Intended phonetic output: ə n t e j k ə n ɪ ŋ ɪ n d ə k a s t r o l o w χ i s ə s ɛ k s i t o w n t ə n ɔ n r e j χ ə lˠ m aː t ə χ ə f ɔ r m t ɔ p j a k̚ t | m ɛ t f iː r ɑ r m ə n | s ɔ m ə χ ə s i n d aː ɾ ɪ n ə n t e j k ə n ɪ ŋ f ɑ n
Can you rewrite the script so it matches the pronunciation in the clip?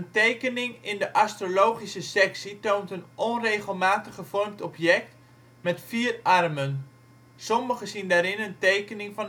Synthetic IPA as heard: ə n t e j k ə n ɪ ŋ ɪ n d ə ʔ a s t r o l o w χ i s ə s ɛ k s i t o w n t ə n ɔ n r e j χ ə lˠ m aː t ə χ ə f ɔ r m t ɔ p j ɛ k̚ t | m ɛ t f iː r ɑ r m ə n | s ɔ m ə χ ə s i n d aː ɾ ɪ n ə n t e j k ə n ɪ ŋ f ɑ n